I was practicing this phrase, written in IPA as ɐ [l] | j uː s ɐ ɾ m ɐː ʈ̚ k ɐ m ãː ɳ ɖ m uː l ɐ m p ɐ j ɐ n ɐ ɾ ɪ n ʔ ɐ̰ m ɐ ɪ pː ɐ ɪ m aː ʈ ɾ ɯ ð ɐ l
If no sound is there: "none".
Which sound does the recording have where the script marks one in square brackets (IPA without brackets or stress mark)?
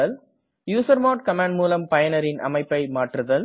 l